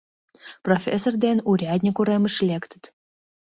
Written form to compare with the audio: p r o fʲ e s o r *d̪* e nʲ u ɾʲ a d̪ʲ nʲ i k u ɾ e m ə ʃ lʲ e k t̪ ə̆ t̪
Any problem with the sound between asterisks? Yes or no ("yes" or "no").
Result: no